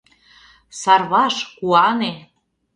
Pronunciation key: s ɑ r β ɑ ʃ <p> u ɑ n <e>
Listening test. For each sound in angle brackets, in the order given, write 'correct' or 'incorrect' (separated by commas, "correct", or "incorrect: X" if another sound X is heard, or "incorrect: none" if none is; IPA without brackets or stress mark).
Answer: incorrect: k, correct